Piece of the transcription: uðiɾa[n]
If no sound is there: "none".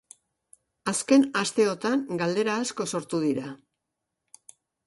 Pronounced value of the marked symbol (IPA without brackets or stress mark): none